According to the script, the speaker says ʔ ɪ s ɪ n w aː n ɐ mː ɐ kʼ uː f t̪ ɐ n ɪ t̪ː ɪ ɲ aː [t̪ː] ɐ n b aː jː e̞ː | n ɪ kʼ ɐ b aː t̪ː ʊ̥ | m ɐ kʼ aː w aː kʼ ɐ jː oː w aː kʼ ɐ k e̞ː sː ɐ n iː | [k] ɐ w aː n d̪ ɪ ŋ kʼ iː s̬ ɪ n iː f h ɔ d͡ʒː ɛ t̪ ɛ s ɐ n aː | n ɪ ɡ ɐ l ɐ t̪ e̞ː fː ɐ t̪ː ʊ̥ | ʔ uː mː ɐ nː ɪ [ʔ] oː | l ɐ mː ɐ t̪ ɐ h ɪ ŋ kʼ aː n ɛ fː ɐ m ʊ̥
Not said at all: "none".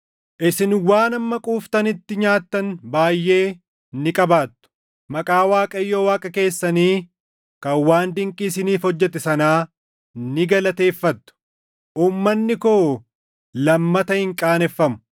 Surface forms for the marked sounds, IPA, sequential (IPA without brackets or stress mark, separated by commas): t̪ː, k, k